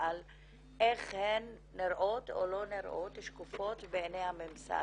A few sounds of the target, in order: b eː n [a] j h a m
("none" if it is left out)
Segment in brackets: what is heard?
e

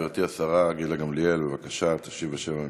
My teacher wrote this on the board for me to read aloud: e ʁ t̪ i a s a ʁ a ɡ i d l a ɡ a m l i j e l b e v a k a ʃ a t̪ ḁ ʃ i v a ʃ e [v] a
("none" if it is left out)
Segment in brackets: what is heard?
v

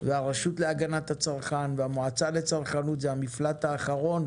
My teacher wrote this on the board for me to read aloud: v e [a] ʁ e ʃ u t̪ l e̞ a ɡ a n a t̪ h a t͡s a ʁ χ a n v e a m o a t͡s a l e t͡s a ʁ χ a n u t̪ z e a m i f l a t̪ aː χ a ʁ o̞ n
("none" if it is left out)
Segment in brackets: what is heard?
a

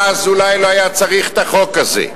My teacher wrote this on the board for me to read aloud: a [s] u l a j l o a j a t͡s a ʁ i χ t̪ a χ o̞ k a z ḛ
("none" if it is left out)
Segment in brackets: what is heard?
z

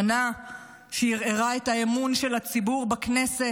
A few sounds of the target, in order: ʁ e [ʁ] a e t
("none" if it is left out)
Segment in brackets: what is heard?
ʁ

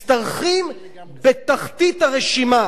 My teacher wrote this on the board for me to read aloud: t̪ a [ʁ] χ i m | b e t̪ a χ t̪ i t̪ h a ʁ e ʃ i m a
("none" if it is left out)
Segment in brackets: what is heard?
ʁ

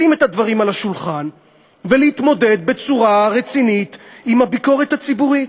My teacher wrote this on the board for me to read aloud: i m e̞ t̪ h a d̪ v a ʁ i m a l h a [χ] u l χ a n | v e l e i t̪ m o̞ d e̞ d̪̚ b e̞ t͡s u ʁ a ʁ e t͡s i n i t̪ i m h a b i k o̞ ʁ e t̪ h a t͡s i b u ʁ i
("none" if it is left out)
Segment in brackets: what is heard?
ʃ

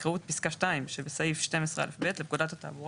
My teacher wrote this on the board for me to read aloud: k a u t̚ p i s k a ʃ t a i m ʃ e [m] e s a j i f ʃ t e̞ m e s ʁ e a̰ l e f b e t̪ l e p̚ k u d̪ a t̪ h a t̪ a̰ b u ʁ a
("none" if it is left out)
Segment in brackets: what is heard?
b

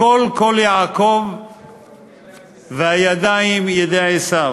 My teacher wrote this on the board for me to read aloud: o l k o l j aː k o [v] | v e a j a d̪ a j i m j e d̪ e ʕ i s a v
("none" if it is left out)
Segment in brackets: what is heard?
v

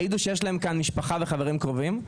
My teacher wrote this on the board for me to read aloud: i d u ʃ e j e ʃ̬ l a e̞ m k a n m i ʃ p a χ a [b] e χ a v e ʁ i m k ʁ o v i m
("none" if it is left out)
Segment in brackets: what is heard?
v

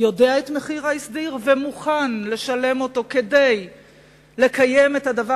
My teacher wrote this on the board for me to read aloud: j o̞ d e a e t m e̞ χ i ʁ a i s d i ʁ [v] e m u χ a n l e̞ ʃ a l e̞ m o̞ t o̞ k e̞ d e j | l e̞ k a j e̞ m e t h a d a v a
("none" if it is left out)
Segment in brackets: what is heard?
v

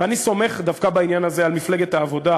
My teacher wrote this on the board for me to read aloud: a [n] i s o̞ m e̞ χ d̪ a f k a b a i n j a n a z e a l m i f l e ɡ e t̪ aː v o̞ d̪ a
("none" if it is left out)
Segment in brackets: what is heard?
n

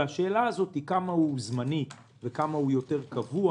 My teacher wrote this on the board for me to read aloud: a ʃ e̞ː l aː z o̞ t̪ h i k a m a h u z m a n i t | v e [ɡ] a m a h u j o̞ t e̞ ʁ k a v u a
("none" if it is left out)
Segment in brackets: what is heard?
k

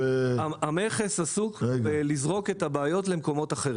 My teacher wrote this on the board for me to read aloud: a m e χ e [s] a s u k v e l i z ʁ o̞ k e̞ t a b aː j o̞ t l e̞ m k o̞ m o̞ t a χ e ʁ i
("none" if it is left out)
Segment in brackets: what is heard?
s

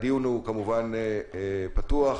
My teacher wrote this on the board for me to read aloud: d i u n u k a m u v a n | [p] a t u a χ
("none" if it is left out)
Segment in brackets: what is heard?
p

